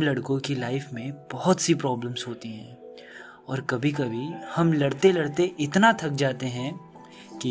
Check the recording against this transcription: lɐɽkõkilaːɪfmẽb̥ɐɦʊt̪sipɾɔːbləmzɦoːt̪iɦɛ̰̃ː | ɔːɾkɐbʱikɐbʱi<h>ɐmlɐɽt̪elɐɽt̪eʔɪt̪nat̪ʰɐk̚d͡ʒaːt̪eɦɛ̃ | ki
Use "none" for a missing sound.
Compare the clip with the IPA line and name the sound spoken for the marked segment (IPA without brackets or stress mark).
h